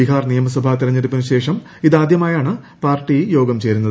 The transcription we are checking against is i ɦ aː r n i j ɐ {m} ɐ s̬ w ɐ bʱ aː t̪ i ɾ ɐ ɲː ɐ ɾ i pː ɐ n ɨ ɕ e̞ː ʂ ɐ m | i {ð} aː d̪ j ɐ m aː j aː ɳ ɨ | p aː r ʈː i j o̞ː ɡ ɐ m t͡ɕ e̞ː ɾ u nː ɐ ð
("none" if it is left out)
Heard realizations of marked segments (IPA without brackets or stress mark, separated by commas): m, ð